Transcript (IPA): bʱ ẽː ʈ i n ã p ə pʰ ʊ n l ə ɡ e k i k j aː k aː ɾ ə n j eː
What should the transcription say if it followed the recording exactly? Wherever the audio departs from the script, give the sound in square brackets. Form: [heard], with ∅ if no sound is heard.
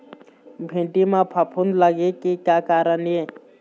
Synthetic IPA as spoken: bʱ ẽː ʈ i [m] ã [pʰ] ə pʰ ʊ n l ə ɡ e k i k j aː k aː ɾ ə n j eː